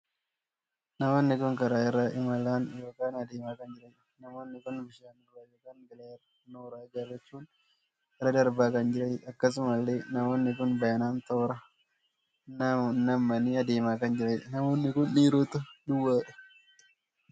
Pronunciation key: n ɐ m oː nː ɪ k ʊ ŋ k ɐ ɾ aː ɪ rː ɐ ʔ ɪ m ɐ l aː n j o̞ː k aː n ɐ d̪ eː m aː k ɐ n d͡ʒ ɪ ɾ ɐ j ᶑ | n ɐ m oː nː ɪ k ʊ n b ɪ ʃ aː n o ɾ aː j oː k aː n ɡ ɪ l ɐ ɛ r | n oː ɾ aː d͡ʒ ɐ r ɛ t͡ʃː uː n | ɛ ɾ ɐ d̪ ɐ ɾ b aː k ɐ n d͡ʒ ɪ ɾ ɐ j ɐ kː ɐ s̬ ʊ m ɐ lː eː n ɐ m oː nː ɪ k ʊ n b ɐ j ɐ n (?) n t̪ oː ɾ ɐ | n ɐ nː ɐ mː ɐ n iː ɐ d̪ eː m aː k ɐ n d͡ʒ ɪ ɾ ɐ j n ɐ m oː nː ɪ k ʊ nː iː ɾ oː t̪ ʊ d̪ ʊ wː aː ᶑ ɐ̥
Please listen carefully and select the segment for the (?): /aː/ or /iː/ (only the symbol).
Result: aː